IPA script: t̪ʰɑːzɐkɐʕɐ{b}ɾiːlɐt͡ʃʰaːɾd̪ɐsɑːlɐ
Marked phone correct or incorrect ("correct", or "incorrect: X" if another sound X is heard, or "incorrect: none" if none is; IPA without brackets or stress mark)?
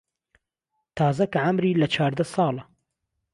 incorrect: m